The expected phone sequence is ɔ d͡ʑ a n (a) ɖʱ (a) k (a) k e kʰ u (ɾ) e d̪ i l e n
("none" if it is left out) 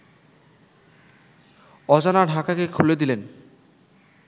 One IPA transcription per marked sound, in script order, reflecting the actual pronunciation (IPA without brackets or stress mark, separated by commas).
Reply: a, a, a, l